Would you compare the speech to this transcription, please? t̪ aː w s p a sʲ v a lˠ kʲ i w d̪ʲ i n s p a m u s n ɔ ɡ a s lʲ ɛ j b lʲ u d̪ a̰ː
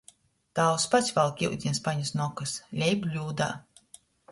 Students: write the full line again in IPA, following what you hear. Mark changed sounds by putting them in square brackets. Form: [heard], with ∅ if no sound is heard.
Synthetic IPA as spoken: t̪ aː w s p a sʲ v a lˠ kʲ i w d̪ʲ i n s p a [ɲ] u s n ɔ [k] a s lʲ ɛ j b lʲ [uː] d̪ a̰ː